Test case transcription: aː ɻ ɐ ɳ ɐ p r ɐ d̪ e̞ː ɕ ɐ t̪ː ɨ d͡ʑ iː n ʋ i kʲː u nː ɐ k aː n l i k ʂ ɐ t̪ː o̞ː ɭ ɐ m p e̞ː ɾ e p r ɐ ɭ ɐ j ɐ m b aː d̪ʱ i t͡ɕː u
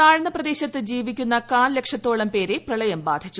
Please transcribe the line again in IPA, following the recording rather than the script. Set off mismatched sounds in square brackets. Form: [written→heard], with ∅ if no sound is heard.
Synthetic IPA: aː ɻ ɐ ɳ ɐ p r ɐ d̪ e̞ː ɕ ɐ t̪ː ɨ d͡ʑ iː [n→∅] ʋ i kʲː u nː ɐ k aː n l [i→e] k ʂ ɐ t̪ː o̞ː ɭ ɐ m p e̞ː ɾ e p r ɐ ɭ ɐ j ɐ m b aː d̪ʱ i t͡ɕː u

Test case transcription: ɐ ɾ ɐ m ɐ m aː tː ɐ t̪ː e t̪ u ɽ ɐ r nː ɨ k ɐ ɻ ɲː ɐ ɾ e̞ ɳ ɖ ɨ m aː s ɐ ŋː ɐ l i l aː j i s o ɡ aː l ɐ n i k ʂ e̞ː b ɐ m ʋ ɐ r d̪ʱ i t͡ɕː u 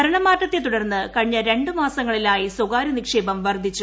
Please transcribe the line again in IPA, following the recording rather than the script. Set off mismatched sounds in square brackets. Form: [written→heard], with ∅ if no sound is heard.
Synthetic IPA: ɐ ɾ ɐ [m→ɳ] ɐ m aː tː ɐ t̪ː e t̪ u ɽ ɐ r nː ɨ k ɐ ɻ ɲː ɐ ɾ e̞ ɳ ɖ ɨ m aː s ɐ ŋː ɐ [l→ɭ] i l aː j i s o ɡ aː [l→ɾ] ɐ n i k ʂ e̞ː b ɐ m ʋ ɐ r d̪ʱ i t͡ɕː u

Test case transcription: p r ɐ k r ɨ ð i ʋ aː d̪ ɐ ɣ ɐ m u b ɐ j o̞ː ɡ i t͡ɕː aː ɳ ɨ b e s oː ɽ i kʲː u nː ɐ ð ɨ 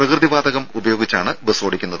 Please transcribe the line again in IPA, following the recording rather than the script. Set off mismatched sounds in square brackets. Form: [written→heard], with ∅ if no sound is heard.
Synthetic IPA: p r ɐ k r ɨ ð i ʋ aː d̪ ɐ ɣ ɐ m u b ɐ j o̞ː ɡ i t͡ɕː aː ɳ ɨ b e s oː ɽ i kʲː u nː ɐ ð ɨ

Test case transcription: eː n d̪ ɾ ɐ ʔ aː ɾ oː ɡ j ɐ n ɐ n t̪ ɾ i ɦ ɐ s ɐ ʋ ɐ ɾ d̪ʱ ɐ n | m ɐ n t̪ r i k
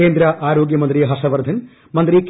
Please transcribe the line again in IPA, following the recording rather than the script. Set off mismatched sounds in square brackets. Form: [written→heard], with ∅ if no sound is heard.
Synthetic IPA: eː n d̪ ɾ ɐ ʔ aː ɾ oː ɡ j ɐ [n→m] ɐ n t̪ ɾ i ɦ ɐ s ɐ ʋ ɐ ɾ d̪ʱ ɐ n | m ɐ n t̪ [r→ɾ] i k

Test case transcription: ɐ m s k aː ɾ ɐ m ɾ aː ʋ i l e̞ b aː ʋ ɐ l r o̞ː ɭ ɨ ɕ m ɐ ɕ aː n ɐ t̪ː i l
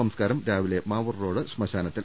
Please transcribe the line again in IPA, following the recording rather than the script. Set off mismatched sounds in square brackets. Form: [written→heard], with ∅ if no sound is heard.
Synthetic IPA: ɐ m s k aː ɾ ɐ m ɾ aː ʋ i l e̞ [b→m] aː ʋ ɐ [l→r] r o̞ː [ɭ→ɽ] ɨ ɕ m ɐ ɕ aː n ɐ t̪ː i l

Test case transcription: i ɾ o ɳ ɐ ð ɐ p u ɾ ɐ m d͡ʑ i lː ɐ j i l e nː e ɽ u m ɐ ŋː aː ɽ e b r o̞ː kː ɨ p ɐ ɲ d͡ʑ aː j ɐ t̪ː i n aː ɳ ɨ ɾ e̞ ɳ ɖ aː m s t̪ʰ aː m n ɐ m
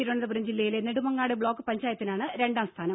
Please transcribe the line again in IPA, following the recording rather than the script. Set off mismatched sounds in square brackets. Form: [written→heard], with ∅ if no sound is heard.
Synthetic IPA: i ɾ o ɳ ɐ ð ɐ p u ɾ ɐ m d͡ʑ i lː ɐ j i l e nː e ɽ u m ɐ ŋː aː ɽ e b [r→ɭ] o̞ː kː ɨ p ɐ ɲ d͡ʑ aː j ɐ t̪ː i n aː ɳ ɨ ɾ e̞ ɳ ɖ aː m s t̪ʰ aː [m→∅] n ɐ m

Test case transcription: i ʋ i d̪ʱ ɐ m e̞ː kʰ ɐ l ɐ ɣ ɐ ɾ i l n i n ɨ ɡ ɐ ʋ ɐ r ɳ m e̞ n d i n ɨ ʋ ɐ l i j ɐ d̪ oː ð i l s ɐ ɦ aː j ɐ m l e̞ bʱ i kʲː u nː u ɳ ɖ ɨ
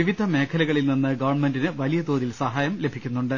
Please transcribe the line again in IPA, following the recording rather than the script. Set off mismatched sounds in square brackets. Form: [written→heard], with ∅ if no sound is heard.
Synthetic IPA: i ʋ i d̪ʱ ɐ m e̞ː kʰ ɐ l ɐ ɣ ɐ [ɾ→ɭ] i l n i [n→nː] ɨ ɡ ɐ ʋ ɐ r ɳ m e̞ n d i n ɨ ʋ ɐ l i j ɐ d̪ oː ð i l s ɐ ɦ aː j ɐ m l e̞ bʱ i kʲː u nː u ɳ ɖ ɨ

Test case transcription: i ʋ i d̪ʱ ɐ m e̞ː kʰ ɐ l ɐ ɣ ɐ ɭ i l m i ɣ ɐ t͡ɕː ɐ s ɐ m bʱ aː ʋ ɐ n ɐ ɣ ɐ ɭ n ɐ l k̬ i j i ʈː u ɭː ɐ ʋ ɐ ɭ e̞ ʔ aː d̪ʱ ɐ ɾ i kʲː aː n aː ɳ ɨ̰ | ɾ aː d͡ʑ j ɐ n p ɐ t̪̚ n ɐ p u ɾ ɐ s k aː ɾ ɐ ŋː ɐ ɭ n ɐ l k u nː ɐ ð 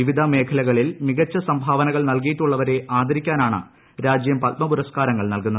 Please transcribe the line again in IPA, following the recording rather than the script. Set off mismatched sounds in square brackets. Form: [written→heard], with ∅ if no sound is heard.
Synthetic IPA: i ʋ i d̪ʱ ɐ m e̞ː kʰ ɐ l ɐ ɣ ɐ ɭ i l m i ɣ ɐ t͡ɕː ɐ s ɐ m bʱ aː ʋ ɐ n ɐ ɣ ɐ ɭ n ɐ l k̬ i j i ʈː u ɭː ɐ ʋ ɐ [ɭ→ɾ] e̞ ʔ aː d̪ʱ ɐ ɾ i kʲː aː n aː ɳ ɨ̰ | ɾ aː d͡ʑ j ɐ [n→m] p ɐ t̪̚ [n→m] ɐ p u ɾ ɐ s k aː ɾ ɐ ŋː ɐ ɭ n ɐ l k u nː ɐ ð

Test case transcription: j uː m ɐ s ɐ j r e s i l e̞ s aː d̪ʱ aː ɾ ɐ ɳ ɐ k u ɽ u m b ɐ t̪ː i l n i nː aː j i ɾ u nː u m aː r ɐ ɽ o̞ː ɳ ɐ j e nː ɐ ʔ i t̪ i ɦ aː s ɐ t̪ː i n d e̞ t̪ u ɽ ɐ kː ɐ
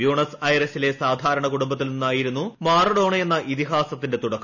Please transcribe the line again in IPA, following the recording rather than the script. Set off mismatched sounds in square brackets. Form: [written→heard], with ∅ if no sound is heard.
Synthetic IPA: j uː [m→ɳ] ɐ s ɐ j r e s i l e̞ s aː d̪ʱ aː ɾ ɐ ɳ ɐ k u ɽ u m b ɐ t̪ː i l n i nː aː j i ɾ u nː u m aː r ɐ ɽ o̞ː ɳ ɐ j e nː ɐ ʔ i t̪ i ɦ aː s ɐ t̪ː i n d e̞ t̪ u ɽ ɐ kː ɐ

